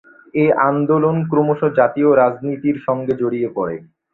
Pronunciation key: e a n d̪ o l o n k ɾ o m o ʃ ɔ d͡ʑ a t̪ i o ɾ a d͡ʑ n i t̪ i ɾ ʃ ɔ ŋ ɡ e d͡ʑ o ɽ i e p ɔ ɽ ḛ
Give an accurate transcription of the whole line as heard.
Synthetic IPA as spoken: e a n d̪ o l o n k ɾ o m o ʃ o d͡ʑ a t̪ i o ɾ a d͡ʑ n i t̪ i ɾ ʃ ɔ ŋ ɡ e d͡ʑ o ɽ i e p ɔ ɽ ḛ

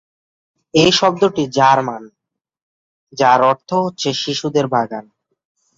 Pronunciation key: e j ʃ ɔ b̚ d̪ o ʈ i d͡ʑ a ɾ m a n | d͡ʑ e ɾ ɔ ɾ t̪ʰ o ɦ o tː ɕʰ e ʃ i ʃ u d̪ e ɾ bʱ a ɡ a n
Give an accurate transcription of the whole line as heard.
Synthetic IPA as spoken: e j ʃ ɔ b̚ d̪ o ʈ i d͡ʑ a ɾ m a n | d͡ʑ a ɾ ɔ ɾ t̪ʰ o ɦ o tː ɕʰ e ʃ i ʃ u d̪ e ɾ bʱ a ɡ a n

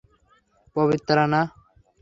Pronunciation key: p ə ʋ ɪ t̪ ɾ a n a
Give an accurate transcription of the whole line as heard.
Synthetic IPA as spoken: p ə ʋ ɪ t̪ ɾ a n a

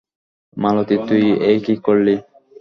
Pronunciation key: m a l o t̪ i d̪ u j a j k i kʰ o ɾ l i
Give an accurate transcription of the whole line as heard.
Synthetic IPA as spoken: m a l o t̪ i t̪ u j e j k i k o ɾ l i

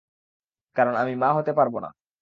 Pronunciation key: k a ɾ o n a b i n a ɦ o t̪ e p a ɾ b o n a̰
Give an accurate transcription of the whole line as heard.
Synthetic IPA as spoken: k a ɾ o n a m i m a ɦ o t̪ e p a ɾ b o n a̰

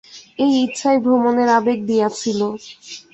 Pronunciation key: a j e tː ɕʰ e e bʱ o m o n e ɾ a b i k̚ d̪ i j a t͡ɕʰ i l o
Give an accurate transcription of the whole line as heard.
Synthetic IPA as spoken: e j i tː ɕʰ a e bʱ o m o n e ɾ a b e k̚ d̪ i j a t͡ɕʰ i l o

